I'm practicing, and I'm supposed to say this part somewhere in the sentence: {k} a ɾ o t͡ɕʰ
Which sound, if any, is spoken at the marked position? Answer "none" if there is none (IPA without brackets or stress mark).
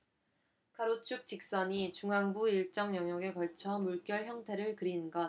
kʰ